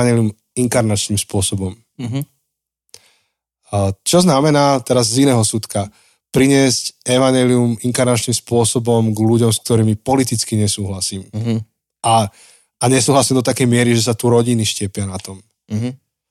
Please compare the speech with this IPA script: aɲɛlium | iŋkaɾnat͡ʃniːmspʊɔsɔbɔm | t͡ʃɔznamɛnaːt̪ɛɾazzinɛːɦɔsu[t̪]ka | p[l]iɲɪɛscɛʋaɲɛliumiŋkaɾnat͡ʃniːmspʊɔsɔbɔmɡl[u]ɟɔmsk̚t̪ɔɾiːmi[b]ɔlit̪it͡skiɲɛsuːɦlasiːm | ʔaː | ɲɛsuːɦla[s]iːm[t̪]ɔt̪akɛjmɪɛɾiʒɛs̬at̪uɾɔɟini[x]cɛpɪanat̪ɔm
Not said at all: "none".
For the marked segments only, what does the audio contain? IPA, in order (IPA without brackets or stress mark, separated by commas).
t̪, ɾ, u, p, s, d̪, ʃ